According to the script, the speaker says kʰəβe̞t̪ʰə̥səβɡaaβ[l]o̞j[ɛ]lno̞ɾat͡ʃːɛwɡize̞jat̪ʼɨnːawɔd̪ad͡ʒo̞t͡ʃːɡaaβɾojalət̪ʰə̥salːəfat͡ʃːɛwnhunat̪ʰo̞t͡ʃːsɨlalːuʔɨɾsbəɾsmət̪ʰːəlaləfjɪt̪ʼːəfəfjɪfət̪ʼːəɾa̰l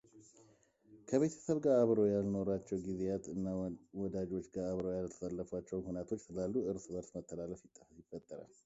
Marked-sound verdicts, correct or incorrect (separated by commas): incorrect, incorrect